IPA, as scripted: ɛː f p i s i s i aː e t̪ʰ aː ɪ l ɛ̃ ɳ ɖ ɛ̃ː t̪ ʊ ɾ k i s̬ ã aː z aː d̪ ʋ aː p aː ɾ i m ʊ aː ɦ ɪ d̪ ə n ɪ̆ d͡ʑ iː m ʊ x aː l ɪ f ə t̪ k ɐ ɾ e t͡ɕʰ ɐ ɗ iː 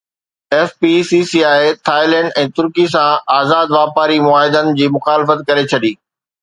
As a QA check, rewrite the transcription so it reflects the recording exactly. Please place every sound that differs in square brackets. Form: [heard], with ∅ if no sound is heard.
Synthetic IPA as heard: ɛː f p i s i s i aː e t̪ʰ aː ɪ l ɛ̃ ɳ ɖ ɛ̃ː t̪ ʊ ɾ k i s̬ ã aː z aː d̪ ʋ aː p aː ɾ i m ʊ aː ɦ ɪ d̪ ə n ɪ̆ d͡ʑ iː m ʊ x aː l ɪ f ə t̪ k ɐ ɾ e t͡ɕʰ ɐ ɗ iː